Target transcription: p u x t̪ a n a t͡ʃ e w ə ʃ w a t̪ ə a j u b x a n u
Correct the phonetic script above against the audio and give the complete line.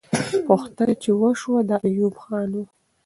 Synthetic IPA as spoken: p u x t̪ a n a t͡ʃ e w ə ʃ w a d̪ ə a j u b x ɑ n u